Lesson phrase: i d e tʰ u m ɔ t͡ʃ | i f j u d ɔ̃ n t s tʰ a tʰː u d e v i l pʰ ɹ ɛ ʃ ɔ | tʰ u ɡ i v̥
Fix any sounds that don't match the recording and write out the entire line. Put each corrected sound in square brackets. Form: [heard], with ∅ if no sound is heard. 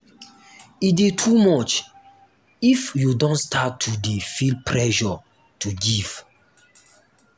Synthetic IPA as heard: i d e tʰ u m ɔ t͡ʃ | i f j u d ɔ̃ n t s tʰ a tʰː u d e [f] i l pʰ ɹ ɛ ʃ ɔ | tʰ u ɡ i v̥